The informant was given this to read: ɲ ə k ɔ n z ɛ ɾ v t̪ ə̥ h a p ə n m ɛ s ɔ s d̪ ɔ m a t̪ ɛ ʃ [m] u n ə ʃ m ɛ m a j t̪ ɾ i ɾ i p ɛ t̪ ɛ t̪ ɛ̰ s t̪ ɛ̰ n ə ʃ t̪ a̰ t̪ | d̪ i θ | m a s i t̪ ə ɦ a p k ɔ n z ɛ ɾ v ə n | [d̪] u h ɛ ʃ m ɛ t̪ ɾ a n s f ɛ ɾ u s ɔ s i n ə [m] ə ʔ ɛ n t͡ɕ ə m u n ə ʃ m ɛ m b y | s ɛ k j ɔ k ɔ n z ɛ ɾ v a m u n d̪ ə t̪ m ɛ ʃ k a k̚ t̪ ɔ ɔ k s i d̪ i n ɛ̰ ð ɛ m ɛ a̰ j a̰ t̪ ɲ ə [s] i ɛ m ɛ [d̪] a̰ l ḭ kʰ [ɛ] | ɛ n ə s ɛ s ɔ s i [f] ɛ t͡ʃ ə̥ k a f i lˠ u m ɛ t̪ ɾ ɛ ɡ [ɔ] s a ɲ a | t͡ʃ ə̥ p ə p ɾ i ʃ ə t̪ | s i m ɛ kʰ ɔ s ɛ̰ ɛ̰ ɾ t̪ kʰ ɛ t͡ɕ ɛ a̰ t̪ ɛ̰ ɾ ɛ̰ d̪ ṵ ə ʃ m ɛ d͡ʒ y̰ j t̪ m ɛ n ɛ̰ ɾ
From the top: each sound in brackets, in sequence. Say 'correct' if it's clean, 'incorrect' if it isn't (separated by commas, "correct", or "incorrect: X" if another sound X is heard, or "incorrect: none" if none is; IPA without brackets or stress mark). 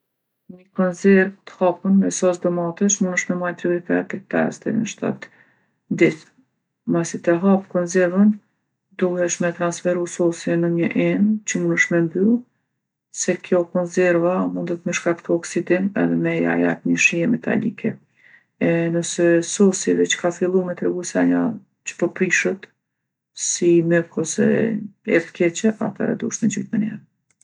correct, correct, incorrect: ɲ, incorrect: ʃ, incorrect: t̪, correct, incorrect: v, incorrect: u